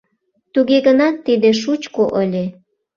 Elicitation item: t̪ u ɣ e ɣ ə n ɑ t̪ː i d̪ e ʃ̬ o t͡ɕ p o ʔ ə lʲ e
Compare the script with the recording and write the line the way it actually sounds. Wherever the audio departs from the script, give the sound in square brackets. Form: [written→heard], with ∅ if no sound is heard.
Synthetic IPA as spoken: t̪ u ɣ e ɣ ə n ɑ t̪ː i d̪ e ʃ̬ [o→u] t͡ɕ [p→k] o ʔ ə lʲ e